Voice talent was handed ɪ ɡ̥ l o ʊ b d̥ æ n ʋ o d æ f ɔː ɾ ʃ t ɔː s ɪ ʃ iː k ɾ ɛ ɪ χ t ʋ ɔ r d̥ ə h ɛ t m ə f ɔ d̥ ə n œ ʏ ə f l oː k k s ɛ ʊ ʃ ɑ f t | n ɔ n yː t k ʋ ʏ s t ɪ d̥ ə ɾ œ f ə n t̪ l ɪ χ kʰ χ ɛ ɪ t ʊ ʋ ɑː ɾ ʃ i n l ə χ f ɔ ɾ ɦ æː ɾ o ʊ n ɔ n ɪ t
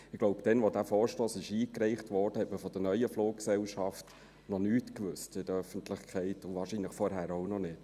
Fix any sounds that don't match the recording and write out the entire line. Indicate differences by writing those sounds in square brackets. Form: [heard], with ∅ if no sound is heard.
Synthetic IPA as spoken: ɪ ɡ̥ l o ʊ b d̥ [ɛ] n ʋ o d æ f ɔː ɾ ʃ t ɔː s ɪ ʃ iː k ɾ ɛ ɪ χ t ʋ ɔ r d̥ ə h ɛ t m ə f ɔ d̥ ə n œ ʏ ə f l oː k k s ɛ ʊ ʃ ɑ f t | n ɔ n yː t k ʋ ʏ s t ɪ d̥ ə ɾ œ f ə n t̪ l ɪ χ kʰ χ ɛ ɪ t ʊ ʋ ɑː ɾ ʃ i n l ə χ f ɔ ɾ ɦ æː ɾ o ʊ n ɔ n ɪ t